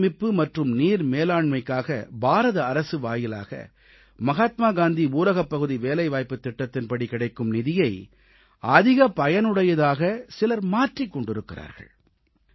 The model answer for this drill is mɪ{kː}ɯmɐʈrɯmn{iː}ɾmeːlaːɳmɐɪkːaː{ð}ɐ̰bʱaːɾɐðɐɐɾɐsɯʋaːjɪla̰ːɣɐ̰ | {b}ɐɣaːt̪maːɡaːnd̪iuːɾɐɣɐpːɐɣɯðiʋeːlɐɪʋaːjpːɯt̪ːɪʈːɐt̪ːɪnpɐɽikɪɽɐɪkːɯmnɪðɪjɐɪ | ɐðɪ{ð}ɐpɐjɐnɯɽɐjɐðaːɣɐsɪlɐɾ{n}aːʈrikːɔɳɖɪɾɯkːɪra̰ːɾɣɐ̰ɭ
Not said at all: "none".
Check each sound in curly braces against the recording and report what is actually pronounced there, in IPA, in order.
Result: pː, iː, ɣ, m, ɣ, m

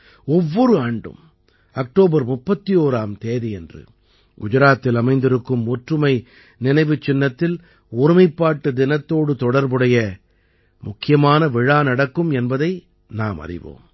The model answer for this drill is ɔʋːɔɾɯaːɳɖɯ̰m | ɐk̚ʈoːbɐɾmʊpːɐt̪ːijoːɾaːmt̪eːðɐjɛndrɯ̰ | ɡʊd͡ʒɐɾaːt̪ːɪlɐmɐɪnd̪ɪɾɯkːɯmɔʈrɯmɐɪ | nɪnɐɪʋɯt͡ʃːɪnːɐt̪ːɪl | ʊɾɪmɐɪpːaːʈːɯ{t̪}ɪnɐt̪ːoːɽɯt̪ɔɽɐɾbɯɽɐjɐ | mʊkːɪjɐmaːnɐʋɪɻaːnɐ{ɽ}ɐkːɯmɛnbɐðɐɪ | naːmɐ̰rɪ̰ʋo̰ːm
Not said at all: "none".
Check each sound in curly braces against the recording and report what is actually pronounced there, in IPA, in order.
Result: d̪, ɽ

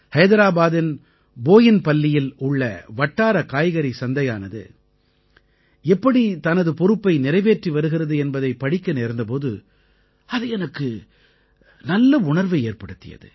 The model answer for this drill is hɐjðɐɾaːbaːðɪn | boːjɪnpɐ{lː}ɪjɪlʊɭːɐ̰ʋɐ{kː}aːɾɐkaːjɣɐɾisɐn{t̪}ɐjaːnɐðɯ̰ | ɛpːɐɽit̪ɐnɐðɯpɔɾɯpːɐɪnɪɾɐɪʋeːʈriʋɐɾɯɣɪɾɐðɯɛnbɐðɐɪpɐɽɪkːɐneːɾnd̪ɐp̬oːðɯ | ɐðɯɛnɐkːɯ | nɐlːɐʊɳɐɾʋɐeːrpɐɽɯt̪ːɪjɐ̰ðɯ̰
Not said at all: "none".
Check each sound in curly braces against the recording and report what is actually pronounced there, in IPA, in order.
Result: lː, ʈː, d̪

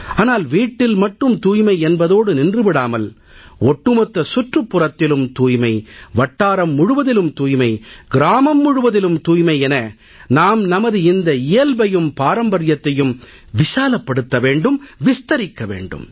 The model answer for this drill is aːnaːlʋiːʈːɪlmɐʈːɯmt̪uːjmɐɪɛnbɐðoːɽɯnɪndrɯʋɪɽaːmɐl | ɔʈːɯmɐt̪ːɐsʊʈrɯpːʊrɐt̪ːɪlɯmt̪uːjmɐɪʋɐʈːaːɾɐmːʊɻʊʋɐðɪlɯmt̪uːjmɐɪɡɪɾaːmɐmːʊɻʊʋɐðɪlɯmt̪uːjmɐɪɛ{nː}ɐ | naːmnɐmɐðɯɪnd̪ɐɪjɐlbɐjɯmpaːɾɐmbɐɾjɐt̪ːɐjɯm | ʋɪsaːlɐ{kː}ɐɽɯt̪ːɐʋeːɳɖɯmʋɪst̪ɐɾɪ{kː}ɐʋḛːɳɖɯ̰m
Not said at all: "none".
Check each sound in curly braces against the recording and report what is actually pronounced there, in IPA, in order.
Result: n, pː, kː

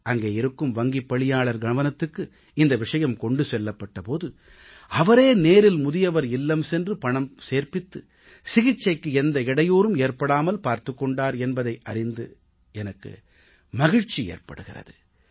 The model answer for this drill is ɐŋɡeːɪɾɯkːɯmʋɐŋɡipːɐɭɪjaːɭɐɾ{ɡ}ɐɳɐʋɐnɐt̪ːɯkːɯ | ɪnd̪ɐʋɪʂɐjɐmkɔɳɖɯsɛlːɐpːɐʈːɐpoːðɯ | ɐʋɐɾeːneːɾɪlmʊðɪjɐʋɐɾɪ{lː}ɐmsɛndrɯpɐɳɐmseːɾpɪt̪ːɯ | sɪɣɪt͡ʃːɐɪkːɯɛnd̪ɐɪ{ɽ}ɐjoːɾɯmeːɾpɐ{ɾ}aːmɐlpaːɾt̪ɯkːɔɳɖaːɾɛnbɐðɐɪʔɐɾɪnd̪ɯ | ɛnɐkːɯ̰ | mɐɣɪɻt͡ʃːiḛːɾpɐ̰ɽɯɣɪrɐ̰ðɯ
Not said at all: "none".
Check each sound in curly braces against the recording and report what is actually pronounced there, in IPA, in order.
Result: ɡ, lː, ɽ, ɽ

